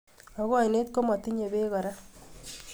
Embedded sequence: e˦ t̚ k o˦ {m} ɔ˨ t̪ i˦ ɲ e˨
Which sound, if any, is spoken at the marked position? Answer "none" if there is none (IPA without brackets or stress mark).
m